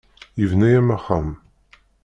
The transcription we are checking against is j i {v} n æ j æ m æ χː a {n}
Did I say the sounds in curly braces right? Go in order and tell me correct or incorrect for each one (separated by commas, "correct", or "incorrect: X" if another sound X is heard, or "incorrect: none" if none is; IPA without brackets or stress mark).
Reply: correct, incorrect: m